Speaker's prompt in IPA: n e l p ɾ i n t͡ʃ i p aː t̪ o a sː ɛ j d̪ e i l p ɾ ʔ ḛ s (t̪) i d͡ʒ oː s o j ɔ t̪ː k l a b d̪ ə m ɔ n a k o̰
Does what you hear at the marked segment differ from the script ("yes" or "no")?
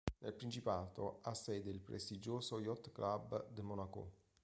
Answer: no